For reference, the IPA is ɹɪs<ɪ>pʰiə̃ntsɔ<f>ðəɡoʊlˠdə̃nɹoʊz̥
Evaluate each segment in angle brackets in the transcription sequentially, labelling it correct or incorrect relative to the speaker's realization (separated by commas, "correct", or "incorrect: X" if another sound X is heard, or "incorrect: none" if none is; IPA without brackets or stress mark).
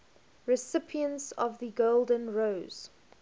correct, incorrect: v